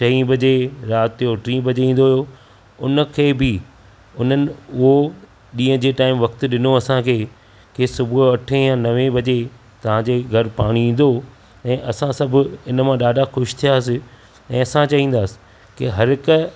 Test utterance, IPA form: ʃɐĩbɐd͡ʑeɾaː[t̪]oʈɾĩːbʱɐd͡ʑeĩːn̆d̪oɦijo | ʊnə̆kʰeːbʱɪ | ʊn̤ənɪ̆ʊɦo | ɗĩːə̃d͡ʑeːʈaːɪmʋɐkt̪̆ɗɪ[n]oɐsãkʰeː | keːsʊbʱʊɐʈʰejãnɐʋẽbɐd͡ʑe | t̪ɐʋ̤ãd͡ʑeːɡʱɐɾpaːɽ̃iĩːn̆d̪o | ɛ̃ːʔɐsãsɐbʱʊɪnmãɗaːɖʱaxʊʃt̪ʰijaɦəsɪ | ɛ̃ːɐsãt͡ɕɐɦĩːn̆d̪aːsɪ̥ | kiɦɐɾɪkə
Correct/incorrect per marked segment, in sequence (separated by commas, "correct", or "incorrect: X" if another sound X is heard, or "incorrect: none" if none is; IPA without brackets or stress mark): correct, correct